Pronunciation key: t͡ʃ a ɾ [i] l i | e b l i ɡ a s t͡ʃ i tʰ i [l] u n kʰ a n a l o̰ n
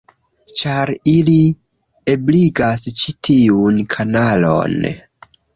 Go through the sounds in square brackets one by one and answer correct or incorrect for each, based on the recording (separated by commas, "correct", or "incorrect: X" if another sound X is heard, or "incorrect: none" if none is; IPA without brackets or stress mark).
correct, incorrect: none